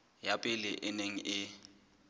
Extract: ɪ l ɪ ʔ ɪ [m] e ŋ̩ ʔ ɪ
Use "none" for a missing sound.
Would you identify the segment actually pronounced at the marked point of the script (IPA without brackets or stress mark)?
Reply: n